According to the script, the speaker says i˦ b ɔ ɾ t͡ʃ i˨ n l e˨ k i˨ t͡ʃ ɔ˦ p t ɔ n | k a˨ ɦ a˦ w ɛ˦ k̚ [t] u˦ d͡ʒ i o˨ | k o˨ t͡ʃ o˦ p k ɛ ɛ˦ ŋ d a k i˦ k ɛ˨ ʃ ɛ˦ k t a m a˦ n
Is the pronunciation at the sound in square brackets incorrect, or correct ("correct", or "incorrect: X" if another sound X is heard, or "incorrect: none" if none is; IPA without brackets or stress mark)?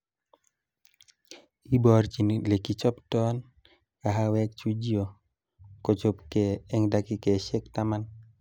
incorrect: t͡ʃ